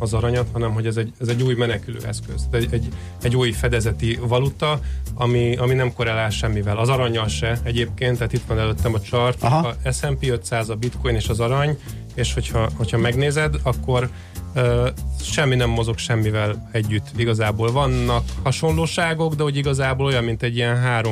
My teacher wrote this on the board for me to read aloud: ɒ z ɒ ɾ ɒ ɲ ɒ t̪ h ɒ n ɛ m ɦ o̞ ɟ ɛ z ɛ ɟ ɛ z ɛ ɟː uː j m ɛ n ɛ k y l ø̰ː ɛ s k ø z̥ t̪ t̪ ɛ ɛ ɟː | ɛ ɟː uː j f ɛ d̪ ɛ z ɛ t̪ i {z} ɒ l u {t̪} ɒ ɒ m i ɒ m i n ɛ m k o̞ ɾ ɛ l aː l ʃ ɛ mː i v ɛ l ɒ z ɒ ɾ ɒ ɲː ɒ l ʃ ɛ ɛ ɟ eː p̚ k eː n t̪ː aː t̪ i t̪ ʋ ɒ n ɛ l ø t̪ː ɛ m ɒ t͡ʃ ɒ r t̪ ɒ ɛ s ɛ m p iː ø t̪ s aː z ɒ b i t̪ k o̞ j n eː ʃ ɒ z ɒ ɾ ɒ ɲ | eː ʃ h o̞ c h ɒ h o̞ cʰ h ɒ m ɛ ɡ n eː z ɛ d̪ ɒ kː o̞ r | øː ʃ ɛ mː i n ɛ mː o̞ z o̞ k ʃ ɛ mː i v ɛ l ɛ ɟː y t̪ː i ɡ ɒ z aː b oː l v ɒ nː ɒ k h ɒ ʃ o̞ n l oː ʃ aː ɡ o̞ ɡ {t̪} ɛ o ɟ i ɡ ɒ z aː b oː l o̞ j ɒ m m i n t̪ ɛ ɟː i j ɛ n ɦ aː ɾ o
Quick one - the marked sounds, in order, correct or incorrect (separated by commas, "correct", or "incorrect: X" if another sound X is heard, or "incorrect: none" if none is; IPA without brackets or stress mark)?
incorrect: v, correct, incorrect: d̪